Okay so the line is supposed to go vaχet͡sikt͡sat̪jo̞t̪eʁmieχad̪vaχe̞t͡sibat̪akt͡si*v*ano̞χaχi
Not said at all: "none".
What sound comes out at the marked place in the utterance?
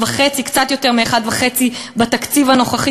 v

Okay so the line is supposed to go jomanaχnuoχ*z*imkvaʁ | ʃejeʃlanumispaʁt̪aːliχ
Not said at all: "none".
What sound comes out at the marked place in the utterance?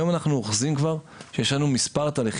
z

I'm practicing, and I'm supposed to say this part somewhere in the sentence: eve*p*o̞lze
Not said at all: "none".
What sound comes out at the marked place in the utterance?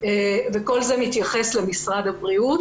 k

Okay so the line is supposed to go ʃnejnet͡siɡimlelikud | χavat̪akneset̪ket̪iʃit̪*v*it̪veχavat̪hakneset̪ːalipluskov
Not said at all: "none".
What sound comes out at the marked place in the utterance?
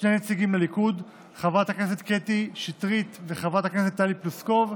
ʁ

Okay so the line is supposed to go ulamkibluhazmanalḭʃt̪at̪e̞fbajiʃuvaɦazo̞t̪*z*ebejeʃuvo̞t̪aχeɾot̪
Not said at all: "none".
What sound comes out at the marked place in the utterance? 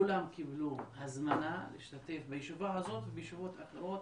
v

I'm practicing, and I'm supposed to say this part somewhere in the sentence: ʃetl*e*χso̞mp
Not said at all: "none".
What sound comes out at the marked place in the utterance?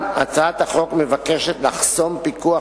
a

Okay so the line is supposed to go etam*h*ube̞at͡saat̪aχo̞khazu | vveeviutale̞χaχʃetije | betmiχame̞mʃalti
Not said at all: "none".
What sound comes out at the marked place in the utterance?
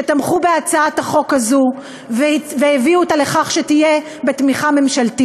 χ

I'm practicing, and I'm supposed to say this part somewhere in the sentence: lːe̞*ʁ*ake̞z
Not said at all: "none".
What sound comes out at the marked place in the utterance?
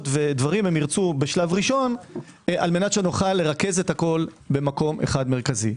ʁ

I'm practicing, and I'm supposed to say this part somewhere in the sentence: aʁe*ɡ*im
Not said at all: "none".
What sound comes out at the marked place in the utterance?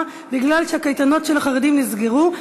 d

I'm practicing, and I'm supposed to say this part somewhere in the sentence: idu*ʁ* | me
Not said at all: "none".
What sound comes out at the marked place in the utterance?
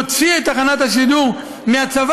ʁ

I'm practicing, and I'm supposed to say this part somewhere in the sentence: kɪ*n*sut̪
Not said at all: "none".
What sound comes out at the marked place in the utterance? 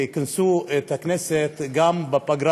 n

